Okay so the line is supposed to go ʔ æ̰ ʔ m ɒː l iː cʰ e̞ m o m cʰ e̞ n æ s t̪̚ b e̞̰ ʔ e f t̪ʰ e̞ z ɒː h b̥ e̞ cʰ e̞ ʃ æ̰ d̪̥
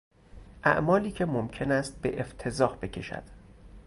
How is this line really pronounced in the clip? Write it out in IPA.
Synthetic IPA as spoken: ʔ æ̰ ʔ m ɒː l iː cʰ e̞ m o m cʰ e̞ n æ s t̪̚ b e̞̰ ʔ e f t̪ʰ e̞ z ɒː h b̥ e̞ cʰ e̞ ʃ æ̰ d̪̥